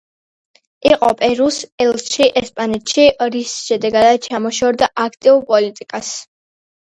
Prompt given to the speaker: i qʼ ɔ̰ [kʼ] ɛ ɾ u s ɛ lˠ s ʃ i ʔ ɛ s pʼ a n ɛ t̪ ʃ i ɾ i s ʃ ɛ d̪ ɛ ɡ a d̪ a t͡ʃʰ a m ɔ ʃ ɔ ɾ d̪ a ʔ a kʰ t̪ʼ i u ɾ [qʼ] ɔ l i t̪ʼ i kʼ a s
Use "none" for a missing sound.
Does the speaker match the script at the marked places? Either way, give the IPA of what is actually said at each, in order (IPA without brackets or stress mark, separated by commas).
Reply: pʼ, pʼ